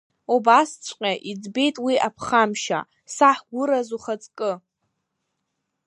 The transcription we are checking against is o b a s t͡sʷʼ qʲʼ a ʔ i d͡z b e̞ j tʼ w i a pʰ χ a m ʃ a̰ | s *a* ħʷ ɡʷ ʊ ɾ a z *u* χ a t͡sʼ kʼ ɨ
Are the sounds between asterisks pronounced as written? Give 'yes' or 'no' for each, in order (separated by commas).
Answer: yes, yes